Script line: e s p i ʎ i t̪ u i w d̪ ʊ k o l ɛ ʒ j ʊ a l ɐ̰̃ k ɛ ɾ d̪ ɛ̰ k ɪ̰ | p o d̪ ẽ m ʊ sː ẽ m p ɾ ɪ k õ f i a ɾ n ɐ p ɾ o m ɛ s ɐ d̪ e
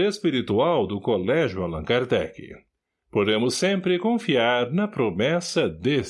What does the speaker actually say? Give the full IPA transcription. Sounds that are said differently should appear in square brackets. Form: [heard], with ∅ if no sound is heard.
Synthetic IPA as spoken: e s p i [ɾ] i t̪ u [a] w d̪ ʊ k o l ɛ ʒ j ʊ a l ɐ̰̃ k [a] ɾ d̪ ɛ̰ k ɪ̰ | p o d̪ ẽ m ʊ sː ẽ m p ɾ ɪ k õ f i a ɾ n ɐ p ɾ o m ɛ s ɐ d̪ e